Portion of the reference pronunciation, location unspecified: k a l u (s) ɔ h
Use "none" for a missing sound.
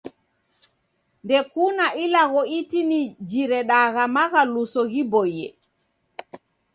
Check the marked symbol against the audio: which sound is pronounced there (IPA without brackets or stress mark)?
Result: s